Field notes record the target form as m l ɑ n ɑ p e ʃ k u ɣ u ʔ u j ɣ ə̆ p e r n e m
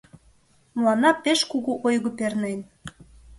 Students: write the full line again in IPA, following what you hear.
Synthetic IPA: m l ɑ n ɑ p e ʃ k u ɣ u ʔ o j ɣ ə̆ p e r n e n